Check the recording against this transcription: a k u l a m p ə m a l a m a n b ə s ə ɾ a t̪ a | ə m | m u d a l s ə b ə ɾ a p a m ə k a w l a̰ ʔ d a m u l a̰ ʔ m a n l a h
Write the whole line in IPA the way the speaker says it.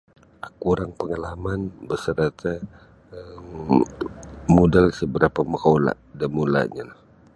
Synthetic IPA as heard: a k u ɾ a ŋ p ə ŋ a l a m a n b ə s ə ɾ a t̪ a | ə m | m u d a l s ə b ə ɾ a p a m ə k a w l a̰ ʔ d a m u l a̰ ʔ ɲ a l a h